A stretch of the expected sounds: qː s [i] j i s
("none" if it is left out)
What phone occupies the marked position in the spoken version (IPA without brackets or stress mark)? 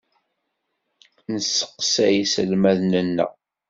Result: æ